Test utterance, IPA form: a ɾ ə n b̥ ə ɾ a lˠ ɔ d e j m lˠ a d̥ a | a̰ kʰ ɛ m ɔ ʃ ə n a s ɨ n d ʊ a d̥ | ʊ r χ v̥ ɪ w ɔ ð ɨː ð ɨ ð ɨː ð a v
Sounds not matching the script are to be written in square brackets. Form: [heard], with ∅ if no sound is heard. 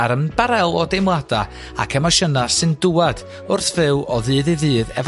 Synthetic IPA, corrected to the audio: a ɾ ə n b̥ [a] ɾ [ɛ] lˠ ɔ d e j m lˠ a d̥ a | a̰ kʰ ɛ m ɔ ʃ ə n a s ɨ n d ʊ a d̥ | ʊ r [θ] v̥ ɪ w ɔ ð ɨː ð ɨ ð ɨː ð [ɛ] v